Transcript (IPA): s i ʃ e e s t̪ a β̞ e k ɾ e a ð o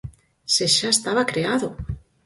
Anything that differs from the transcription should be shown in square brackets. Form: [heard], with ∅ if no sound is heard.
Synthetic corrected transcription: s [e] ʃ [a] e s t̪ a β̞ [a] k ɾ e a ð o